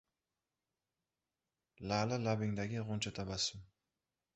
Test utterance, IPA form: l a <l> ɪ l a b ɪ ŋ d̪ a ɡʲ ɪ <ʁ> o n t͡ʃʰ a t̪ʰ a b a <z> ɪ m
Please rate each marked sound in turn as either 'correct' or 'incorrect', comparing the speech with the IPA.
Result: correct, correct, incorrect

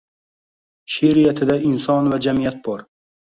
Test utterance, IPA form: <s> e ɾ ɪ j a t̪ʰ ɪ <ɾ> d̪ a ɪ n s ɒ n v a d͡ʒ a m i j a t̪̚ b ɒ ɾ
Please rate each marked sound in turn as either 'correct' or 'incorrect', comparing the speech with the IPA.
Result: incorrect, incorrect

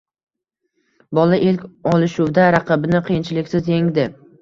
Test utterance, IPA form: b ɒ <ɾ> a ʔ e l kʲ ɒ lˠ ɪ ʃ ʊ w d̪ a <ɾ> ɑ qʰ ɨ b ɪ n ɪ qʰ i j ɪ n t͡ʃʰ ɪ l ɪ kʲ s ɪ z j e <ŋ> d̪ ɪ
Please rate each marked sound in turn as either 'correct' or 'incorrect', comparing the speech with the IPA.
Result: incorrect, correct, correct

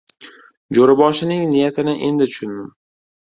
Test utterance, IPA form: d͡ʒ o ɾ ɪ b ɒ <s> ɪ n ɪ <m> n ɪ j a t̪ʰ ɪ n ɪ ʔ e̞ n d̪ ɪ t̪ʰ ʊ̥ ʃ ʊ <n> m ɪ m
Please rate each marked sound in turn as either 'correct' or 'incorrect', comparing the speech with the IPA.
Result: incorrect, incorrect, correct

